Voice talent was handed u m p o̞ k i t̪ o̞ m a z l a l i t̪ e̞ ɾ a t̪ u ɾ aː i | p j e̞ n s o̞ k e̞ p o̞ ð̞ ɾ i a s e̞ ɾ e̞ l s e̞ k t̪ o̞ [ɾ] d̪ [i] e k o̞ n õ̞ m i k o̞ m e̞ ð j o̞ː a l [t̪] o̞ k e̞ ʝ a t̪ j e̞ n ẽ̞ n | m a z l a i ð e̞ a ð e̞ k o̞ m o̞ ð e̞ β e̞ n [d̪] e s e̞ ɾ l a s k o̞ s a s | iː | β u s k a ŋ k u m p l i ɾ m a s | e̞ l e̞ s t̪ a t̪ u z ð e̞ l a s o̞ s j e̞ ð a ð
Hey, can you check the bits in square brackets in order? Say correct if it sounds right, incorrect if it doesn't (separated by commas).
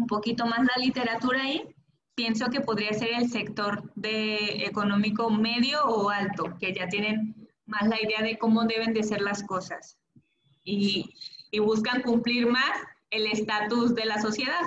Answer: correct, incorrect, correct, correct